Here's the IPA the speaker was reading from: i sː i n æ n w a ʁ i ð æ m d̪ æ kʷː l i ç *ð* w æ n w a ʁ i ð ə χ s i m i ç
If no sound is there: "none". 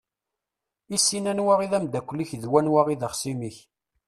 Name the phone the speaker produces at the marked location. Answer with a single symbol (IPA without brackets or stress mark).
ð